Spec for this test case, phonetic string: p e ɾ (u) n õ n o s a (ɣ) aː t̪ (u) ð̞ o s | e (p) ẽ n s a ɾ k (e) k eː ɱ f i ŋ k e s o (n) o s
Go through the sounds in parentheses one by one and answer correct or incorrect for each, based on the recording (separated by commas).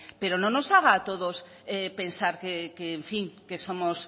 incorrect, correct, incorrect, correct, correct, incorrect